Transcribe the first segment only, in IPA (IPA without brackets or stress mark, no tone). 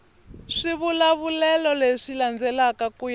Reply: ʂ